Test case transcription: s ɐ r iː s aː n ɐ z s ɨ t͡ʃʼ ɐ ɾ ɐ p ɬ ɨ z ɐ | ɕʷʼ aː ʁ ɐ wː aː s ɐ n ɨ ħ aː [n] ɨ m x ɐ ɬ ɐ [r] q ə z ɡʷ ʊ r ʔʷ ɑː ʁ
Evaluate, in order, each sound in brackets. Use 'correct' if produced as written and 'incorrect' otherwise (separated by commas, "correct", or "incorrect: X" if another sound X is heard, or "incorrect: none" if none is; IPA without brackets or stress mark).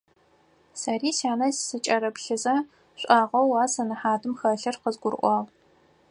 incorrect: d, correct